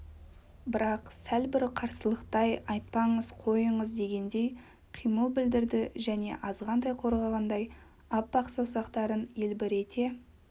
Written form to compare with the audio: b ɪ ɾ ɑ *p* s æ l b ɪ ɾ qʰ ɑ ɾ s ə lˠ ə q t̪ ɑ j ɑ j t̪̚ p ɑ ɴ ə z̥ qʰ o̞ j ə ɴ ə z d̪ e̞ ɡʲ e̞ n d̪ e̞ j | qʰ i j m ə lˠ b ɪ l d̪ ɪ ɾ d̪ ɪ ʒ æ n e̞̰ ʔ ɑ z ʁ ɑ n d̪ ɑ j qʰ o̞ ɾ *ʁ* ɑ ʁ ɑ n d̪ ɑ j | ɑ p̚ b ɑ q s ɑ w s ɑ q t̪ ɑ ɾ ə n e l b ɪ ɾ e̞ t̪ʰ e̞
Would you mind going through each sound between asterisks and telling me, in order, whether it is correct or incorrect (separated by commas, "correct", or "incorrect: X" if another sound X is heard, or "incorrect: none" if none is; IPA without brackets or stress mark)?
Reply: incorrect: q, correct